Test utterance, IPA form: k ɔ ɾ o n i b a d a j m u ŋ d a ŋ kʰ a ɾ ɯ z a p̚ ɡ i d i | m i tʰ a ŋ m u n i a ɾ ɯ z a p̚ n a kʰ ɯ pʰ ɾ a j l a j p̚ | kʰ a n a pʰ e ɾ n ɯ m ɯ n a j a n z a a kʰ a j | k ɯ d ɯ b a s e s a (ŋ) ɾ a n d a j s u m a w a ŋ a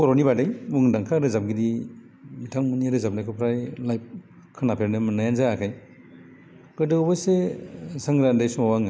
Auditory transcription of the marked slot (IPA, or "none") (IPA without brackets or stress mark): ŋ